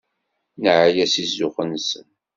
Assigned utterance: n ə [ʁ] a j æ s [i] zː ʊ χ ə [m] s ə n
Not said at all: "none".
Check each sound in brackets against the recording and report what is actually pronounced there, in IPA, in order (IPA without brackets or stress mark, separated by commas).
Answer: ʕ, i, n